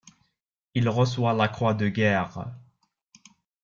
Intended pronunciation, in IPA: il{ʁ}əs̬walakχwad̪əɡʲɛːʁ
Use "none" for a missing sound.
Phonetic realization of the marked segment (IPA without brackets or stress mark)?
ʁ